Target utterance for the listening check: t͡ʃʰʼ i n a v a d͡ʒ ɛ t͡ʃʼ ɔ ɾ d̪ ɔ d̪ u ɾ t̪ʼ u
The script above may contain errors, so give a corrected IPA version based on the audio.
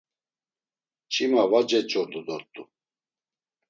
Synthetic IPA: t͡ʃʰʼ i m a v a d͡ʒ ɛ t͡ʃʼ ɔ ɾ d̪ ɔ d̪ ɔ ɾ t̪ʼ u